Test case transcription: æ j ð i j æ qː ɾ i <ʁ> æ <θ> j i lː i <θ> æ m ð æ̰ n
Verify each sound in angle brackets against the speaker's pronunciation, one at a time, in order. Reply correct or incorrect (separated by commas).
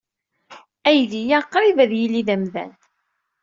incorrect, incorrect, incorrect